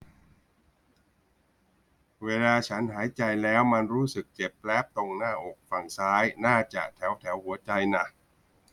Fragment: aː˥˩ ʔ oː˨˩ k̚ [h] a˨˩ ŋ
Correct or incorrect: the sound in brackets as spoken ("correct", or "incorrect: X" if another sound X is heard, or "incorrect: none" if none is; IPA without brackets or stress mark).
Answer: incorrect: f